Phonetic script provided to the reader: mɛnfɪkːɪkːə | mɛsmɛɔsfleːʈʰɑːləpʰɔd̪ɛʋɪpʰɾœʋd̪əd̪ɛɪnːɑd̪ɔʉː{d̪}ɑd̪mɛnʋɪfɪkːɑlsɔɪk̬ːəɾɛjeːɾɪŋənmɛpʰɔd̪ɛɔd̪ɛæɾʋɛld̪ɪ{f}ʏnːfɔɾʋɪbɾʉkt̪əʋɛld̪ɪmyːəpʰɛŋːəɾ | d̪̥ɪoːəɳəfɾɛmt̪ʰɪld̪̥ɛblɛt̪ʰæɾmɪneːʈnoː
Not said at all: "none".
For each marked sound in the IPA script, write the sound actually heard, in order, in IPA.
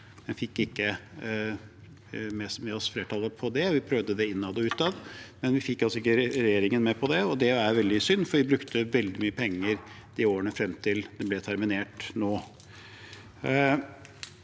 t̪, s

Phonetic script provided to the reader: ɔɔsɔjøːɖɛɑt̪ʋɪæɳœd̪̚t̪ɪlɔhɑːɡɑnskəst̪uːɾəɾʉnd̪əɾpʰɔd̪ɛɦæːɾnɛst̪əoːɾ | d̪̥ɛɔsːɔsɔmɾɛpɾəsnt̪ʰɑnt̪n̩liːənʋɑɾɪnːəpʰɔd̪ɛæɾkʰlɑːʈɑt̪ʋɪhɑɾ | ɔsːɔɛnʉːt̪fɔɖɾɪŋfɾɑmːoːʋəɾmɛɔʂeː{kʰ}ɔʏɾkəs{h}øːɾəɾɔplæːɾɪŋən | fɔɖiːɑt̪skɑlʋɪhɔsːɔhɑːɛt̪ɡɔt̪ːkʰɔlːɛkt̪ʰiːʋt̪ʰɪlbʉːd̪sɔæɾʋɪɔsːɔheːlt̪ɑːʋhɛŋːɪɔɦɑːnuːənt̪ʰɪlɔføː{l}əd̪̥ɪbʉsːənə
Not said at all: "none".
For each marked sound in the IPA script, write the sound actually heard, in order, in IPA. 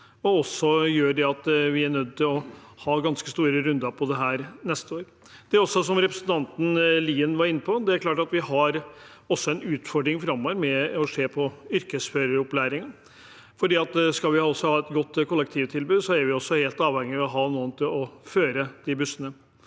pʰ, f, ɾ

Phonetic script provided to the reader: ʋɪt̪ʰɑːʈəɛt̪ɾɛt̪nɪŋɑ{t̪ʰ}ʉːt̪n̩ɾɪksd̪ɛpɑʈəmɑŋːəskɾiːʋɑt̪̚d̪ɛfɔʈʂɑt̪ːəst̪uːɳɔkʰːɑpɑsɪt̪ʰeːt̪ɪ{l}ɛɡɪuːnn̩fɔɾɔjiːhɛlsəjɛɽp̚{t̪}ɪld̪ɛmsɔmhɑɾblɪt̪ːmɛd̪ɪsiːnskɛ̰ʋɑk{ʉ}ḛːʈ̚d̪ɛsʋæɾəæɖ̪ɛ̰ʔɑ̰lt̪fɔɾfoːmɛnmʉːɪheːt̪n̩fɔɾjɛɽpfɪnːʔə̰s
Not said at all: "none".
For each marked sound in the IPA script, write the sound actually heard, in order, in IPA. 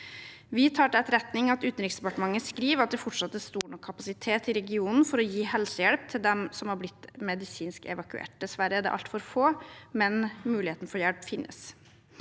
t̪, ɾ, t̪ʰ, ʉ

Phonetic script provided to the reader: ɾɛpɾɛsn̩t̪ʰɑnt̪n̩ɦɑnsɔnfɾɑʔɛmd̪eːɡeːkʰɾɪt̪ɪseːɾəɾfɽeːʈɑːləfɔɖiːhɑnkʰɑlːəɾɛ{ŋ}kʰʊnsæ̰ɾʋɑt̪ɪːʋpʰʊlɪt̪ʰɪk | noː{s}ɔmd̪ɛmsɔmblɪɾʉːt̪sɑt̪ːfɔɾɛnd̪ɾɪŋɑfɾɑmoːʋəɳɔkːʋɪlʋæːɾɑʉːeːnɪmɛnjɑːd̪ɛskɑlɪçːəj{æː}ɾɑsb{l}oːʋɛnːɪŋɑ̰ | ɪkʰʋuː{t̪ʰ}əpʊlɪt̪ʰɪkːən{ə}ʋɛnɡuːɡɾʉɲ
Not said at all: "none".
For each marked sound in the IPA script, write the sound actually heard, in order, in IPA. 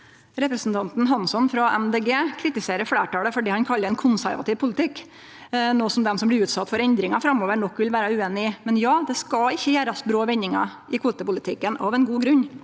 n, s, æː, ɾ, t̪, ɑ

